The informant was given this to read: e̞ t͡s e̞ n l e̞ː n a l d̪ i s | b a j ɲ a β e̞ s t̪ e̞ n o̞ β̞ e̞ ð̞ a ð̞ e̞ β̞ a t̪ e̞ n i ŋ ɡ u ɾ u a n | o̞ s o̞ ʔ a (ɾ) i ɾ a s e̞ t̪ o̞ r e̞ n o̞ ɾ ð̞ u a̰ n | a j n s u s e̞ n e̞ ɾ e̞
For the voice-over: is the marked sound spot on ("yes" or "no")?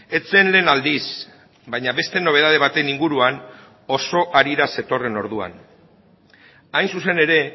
yes